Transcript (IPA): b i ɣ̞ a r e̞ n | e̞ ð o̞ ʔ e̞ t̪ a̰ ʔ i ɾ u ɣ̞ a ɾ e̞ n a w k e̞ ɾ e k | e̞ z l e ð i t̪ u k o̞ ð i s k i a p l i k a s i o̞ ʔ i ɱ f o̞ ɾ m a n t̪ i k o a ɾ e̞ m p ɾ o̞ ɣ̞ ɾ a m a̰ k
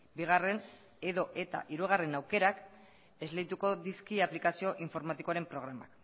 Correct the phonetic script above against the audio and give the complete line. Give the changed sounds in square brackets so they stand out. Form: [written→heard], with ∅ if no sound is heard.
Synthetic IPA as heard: b i ɣ̞ a r e̞ n | e̞ ð o̞ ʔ e̞ t̪ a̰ ʔ i ɾ u ɣ̞ a [ɾ→r] e̞ n a w k e̞ ɾ [e→a] k | e̞ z l e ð i t̪ u k o̞ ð i s k i a p l i k a s i o̞ ʔ i ɱ f o̞ ɾ m a [n→∅] t̪ i k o a ɾ e̞ m p ɾ o̞ ɣ̞ ɾ a m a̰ k

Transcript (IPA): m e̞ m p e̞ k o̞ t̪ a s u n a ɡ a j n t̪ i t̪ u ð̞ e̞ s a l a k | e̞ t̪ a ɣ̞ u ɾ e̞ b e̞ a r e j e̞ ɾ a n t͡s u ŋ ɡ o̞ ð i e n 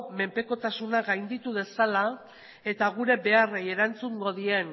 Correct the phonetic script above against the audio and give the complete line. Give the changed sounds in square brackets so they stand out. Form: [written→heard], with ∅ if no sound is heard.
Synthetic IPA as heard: m e̞ m p e̞ k o̞ t̪ a s u n a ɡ a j n [t̪→d̪] i t̪ u ð̞ e̞ s a l a [k→∅] | e̞ t̪ a ɣ̞ u ɾ e̞ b e̞ a r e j e̞ ɾ a n t͡s u ŋ ɡ o̞ ð i e n

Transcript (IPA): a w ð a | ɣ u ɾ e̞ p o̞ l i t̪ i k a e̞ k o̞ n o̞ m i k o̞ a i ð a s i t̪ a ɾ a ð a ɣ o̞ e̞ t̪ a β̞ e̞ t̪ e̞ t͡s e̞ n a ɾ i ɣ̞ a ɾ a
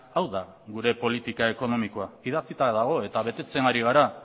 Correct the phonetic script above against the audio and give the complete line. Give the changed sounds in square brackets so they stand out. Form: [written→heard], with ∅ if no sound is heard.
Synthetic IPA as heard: a w ð a | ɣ u ɾ e̞ p o̞ l i t̪ i k a e̞ k o̞ n o̞ m i k o̞ a i ð a [s→t͡s] i t̪ a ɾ a ð a ɣ o̞ e̞ t̪ a β̞ e̞ t̪ e̞ t͡s e̞ n a ɾ i ɣ̞ a ɾ a

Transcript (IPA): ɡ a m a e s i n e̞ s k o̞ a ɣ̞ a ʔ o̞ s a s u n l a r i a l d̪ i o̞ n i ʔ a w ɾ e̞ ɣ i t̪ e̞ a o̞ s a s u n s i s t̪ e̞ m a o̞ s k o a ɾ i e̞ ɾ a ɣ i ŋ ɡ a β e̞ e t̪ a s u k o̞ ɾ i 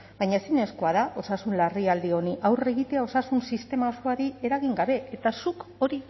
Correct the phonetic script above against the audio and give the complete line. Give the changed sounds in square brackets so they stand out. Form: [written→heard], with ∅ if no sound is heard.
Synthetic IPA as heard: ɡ a [m→ɲ] a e s i n e̞ s k o̞ a [ɣ̞→ð̞] a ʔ o̞ s a s u n l a r i a l d̪ i o̞ n i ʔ a w [ɾ→r] e̞ ɣ i t̪ e̞ a o̞ s a s u n s i s t̪ e̞ m a o̞ s k o a ɾ i e̞ ɾ a ɣ i ŋ ɡ a β e̞ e t̪ a s u k o̞ ɾ i

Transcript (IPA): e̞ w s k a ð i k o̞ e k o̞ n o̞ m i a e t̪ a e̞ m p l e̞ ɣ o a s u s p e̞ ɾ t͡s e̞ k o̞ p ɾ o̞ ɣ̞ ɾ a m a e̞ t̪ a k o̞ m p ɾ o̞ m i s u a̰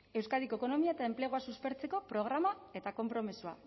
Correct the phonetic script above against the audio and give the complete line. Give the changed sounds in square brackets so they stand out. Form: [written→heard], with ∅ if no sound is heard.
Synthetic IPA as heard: e̞ w s k a ð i k o̞ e k o̞ n o̞ m i a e t̪ a e̞ m p l e̞ ɣ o a s u s p e̞ ɾ t͡s e̞ k o̞ p ɾ o̞ ɣ̞ ɾ a m a e̞ t̪ a k o̞ m p ɾ o̞ m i s u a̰

